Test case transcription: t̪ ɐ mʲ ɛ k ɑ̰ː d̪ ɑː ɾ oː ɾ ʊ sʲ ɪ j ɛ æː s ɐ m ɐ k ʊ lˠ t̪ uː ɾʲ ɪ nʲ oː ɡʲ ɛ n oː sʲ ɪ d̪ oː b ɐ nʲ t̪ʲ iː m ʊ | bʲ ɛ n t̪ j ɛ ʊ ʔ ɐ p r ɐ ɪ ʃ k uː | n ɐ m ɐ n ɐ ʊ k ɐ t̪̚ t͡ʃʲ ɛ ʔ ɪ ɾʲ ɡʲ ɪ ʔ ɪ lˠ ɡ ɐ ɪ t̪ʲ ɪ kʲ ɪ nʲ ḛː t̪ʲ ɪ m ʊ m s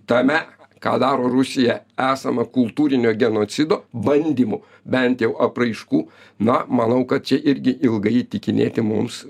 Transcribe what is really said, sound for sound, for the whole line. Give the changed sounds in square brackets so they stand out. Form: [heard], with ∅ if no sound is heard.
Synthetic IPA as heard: t̪ ɐ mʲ ɛ k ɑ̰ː d̪ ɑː ɾ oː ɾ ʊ sʲ ɪ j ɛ æː s ɐ m ɐ k ʊ lˠ t̪ uː ɾʲ ɪ nʲ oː ɡʲ ɛ n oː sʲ ɪ d̪ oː b ɐ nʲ [d̪ʲ] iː m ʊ | bʲ ɛ n t̪ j ɛ ʊ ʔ ɐ p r ɐ ɪ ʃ k uː | n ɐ m ɐ n ɐ ʊ k ɐ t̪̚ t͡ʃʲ ɛ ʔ ɪ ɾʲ ɡʲ ɪ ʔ ɪ lˠ ɡ ɐ ɪ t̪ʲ ɪ kʲ ɪ nʲ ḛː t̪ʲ ɪ m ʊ m s